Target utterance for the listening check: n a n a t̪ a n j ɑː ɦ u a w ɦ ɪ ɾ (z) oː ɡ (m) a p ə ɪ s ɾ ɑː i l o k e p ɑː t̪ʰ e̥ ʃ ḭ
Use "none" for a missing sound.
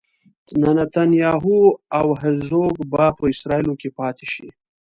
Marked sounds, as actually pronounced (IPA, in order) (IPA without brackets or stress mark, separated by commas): z, b